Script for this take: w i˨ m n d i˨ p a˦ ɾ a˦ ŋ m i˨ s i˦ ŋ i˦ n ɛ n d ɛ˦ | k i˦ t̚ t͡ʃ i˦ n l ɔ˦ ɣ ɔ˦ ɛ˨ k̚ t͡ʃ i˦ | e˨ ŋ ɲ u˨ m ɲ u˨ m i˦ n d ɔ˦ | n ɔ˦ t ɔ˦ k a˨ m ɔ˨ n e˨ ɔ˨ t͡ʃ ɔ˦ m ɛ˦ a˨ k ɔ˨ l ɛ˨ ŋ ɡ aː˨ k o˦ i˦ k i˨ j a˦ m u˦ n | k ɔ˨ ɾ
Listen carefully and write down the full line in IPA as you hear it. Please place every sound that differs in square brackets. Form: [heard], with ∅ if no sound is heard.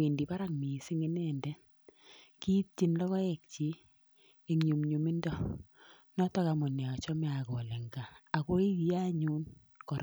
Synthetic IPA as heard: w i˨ [∅] n d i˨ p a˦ ɾ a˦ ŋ m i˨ s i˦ ŋ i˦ n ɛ n d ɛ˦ | k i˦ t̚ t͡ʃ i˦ n l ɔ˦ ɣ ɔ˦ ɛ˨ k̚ t͡ʃ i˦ | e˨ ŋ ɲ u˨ m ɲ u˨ m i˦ n d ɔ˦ | n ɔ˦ t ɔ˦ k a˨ m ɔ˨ n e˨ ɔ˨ t͡ʃ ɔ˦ m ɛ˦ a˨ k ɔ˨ l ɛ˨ ŋ ɡ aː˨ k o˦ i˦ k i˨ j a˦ [ɲ] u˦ n | k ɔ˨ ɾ

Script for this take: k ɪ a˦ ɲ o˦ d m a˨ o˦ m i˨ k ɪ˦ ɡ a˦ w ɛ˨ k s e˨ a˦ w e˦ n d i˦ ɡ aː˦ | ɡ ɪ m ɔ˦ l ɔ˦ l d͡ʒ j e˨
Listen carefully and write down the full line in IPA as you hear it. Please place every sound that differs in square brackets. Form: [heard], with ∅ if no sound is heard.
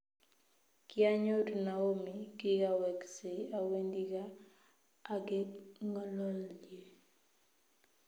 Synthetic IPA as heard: k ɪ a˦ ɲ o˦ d [n] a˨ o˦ m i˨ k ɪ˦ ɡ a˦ w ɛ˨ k s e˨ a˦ w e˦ n d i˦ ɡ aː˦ | ɡ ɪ [ŋ] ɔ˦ l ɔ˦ l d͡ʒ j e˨

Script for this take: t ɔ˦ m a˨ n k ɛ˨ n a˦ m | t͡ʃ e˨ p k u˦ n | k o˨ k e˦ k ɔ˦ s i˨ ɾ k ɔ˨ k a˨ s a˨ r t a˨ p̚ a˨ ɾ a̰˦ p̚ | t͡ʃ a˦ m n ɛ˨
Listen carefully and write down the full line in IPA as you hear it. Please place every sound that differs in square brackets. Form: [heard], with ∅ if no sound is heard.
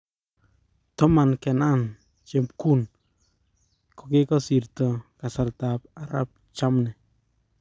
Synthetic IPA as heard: t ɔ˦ m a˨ n k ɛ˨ n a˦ [n] | t͡ʃ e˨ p k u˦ n | k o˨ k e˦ k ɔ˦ s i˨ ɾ [t] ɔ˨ k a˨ s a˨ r t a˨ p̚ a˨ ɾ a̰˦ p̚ | t͡ʃ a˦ m n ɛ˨

